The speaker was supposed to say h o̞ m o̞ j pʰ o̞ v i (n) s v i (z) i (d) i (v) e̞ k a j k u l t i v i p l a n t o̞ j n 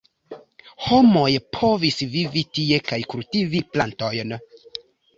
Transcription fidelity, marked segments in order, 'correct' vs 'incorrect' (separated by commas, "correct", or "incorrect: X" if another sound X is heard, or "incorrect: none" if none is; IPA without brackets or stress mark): incorrect: none, incorrect: v, incorrect: t, incorrect: none